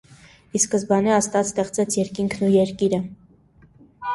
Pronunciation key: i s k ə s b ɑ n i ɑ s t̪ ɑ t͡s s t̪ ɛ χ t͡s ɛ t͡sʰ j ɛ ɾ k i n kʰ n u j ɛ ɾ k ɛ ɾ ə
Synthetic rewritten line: i s k ə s b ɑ n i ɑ s t̪ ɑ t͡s s t̪ ɛ χ t͡s ɛ t͡sʰ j ɛ ɾ k i ŋ kʰ n u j ɛ ɾ k i ɾ ə